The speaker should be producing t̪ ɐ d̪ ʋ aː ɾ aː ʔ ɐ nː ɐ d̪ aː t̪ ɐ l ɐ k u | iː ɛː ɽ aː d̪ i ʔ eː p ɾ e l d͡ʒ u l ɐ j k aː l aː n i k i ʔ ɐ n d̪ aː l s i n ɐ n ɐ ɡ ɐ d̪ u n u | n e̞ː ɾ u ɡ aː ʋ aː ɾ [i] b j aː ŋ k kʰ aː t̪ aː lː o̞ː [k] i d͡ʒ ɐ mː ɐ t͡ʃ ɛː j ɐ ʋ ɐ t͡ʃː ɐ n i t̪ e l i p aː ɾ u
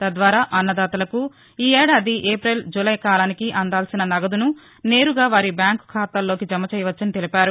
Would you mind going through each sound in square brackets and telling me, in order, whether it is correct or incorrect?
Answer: correct, correct

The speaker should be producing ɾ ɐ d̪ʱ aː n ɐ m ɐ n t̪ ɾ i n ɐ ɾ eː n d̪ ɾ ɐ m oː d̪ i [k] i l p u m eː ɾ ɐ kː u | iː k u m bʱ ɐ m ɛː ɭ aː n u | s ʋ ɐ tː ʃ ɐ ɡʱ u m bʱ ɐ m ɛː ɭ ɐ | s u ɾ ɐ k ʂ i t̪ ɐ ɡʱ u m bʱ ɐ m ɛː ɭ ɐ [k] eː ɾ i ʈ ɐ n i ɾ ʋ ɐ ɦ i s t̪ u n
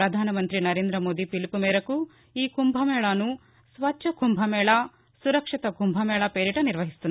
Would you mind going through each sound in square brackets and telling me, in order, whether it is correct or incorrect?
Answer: incorrect: p, incorrect: p

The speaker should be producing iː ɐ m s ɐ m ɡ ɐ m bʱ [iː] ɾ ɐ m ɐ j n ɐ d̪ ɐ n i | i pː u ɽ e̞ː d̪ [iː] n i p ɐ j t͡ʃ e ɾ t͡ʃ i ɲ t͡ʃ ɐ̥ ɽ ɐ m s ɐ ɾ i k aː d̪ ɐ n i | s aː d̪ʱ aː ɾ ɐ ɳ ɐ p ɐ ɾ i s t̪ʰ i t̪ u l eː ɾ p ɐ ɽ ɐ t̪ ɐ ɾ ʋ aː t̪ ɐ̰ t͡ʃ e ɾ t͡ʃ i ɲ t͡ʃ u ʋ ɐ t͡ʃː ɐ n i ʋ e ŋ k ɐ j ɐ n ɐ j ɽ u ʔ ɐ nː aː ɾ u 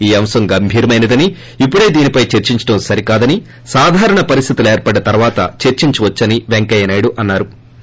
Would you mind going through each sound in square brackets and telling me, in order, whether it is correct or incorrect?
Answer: correct, correct

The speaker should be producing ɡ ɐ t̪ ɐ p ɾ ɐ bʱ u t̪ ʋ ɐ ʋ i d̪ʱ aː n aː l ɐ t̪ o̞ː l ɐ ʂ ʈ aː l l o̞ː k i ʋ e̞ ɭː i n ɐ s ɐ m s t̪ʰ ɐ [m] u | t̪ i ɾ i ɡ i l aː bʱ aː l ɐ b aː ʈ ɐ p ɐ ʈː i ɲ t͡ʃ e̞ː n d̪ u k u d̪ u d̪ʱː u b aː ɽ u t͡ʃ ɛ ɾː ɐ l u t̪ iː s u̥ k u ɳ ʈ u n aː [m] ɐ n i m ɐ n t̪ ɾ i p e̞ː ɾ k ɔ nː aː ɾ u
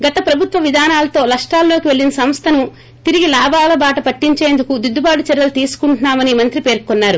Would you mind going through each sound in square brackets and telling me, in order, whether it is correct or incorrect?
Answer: incorrect: n, correct

